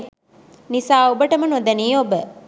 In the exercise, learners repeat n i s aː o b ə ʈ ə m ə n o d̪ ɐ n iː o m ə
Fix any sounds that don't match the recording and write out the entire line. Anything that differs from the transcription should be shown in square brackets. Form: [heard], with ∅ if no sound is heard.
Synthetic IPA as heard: n i s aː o b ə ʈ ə m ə n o d̪ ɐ n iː o [b] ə